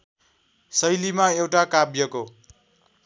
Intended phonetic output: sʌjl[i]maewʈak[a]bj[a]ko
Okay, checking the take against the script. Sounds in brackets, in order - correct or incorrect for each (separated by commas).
correct, correct, incorrect